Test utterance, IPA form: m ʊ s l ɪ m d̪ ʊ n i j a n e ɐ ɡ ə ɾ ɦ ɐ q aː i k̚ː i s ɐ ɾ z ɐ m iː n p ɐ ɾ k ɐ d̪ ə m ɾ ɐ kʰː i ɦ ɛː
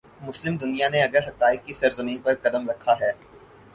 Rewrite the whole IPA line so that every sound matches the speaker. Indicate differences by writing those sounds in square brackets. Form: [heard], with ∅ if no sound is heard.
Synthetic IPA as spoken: m ʊ s l ɪ m d̪ ʊ n i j a n e ɐ ɡ ə ɾ ɦ ɐ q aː [ɪ] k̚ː i s ɐ ɾ z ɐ m iː n p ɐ ɾ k ɐ d̪ ə m ɾ ɐ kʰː [a] ɦ ɛː